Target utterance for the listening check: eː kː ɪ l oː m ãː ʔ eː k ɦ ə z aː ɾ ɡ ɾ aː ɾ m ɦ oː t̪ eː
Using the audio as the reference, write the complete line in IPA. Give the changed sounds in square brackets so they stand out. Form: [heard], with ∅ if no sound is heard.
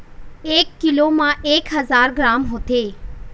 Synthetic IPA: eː kː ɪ l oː m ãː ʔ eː k ɦ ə z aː ɾ ɡ ɾ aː [∅] m ɦ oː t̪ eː